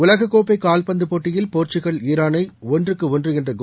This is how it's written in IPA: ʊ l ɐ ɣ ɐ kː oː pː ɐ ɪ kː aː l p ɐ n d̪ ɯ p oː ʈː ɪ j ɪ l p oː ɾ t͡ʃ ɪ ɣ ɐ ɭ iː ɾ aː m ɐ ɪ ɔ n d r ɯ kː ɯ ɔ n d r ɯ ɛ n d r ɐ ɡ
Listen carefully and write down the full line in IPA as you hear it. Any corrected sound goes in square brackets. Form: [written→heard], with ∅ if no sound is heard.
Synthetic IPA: ʊ l ɐ ɣ ɐ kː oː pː ɐ ɪ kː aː l p ɐ n d̪ ɯ p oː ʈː ɪ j ɪ l p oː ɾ t͡ʃ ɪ ɣ ɐ ɭ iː ɾ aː [m→n] ɐ ɪ ɔ n d r ɯ kː ɯ ɔ n d r ɯ ɛ n d r ɐ ɡ